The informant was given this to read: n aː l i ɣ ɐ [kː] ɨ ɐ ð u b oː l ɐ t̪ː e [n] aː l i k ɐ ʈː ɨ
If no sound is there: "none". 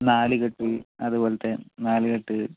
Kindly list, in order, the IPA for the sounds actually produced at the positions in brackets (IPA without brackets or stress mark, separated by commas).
ʈː, n